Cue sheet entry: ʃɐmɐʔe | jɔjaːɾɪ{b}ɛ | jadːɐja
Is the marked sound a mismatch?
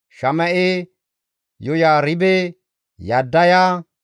no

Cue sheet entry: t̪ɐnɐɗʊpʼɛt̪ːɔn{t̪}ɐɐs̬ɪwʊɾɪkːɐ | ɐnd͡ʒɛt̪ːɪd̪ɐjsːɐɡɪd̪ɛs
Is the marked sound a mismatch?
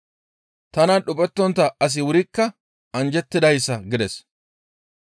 no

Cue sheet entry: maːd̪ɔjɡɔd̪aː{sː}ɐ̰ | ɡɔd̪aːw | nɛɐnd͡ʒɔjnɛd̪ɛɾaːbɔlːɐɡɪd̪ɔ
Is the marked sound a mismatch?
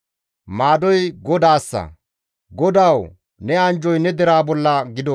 no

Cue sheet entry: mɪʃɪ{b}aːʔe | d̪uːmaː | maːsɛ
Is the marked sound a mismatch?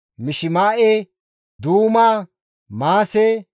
yes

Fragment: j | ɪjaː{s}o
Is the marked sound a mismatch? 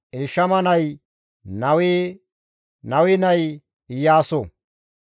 no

